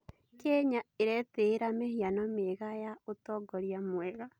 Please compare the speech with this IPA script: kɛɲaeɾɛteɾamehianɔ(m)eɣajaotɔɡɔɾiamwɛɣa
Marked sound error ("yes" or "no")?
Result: no